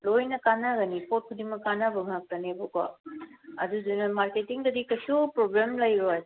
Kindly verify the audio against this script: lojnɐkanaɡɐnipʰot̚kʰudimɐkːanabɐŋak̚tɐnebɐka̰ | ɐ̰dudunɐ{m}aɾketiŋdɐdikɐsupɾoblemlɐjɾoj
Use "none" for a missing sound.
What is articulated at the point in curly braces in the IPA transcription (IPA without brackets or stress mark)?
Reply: m